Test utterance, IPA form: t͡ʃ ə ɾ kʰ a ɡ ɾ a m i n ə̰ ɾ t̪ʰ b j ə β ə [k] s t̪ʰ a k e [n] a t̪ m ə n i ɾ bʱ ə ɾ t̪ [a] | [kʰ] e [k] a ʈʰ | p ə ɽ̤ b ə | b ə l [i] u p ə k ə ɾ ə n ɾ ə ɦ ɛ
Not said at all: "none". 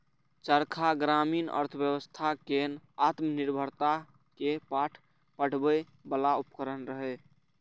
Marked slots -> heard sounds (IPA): none, n, a, k, p, a

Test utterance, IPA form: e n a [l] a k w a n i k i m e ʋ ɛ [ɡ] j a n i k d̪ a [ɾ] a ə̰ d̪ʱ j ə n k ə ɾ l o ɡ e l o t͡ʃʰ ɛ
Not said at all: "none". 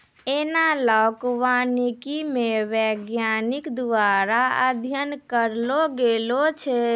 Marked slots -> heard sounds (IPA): l, ɡ, ɾ

